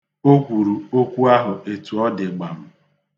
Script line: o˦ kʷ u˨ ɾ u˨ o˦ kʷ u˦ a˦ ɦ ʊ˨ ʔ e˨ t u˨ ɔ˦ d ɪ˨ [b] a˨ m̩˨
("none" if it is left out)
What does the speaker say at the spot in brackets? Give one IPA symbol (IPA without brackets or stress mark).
ɡ͡b